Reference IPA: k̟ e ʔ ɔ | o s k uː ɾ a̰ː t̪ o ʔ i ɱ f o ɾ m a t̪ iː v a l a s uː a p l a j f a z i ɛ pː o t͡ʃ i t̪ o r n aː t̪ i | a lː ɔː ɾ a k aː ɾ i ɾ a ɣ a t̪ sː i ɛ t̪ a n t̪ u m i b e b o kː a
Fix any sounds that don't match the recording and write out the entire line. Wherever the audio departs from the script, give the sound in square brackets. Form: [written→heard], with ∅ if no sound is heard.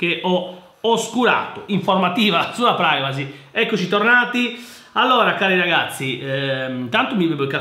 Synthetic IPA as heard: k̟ e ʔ ɔ | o s k [uː→u] ɾ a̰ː t̪ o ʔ i ɱ f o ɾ m a t̪ iː v a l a s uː a p [l→ɾ] a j [f→v] a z i ɛ [pː→kː] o t͡ʃ i t̪ o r n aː t̪ i | a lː ɔː ɾ a k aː ɾ i ɾ a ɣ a t̪ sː i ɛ t̪ a n t̪ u m i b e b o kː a